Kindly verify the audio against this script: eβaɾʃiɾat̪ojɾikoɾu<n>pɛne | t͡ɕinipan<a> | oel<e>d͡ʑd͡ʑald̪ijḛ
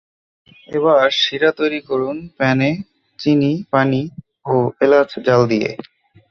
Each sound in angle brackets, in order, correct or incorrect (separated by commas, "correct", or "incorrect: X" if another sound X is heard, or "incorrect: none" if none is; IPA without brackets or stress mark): correct, incorrect: i, incorrect: a